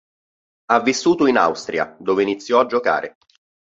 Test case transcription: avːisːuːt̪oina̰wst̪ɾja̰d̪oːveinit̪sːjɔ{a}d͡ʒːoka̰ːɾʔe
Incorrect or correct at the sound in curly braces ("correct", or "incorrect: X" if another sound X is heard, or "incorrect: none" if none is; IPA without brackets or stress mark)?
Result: correct